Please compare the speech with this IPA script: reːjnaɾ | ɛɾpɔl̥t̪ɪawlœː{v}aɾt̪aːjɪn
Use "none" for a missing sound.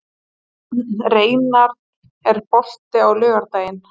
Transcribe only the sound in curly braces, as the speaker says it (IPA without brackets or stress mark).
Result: ɣ